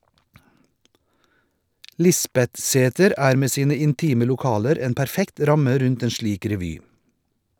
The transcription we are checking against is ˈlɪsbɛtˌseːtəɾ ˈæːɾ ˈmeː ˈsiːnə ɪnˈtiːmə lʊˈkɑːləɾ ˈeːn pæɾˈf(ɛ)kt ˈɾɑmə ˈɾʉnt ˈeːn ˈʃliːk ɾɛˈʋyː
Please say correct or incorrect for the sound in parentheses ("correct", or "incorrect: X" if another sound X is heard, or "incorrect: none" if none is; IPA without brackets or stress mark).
correct